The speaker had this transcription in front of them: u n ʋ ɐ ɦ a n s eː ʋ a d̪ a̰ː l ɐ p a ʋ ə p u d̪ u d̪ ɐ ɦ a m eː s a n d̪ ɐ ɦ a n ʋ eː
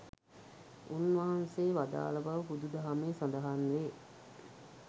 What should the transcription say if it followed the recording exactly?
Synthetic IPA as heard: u n ʋ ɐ ɦ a n s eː ʋ a d̪ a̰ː l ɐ b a ʋ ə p u d̪ u d̪ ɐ ɦ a m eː s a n d̪ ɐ ɦ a n ʋ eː